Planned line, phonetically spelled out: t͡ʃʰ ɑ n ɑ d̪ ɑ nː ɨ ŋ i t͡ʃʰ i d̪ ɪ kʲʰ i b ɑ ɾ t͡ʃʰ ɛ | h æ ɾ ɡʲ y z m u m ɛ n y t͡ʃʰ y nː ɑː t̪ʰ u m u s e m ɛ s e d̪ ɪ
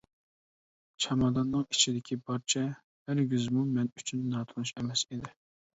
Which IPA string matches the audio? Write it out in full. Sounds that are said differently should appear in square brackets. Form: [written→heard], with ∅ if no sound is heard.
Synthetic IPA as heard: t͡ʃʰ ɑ [n→m] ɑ d̪ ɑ nː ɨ ŋ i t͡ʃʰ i d̪ ɪ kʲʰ i b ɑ ɾ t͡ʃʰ ɛ | h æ ɾ ɡʲ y z m u m ɛ n y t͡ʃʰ y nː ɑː t̪ʰ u [m→n] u [s→ʃ] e m ɛ s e d̪ ɪ